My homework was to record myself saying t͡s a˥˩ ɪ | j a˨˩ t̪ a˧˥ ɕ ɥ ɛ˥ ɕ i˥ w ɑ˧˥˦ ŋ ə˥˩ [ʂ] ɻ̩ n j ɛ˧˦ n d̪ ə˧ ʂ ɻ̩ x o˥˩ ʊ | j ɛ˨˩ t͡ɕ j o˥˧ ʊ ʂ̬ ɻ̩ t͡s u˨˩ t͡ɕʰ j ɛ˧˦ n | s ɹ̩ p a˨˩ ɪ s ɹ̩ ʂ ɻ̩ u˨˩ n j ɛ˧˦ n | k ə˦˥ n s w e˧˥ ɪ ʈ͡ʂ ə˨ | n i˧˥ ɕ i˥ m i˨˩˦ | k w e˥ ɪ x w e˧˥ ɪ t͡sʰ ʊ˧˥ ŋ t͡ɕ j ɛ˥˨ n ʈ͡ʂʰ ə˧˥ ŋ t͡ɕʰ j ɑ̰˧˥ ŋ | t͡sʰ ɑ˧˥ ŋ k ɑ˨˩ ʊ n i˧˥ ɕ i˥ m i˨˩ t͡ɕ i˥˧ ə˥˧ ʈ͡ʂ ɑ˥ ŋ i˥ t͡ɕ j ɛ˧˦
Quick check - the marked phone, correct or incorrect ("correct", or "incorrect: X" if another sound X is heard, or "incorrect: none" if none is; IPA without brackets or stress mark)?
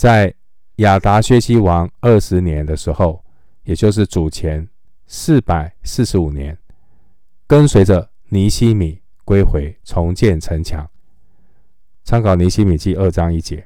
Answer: correct